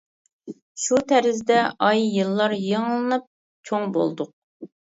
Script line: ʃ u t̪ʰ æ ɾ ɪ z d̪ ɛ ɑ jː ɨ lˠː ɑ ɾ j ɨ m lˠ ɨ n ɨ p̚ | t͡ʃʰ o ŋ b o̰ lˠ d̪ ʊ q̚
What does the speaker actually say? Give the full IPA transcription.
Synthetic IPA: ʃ u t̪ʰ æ ɾ ɪ z d̪ ɛ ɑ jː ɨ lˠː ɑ ɾ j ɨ ŋ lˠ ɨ n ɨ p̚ | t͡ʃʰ o ŋ b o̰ lˠ d̪ ʊ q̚